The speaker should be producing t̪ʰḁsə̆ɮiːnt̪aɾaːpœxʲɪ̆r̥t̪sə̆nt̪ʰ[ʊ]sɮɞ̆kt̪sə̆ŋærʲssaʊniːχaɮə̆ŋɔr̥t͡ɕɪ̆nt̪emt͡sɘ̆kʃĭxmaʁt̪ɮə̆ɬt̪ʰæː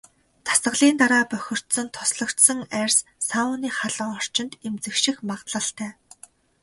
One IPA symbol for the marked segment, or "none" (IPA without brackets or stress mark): ʊ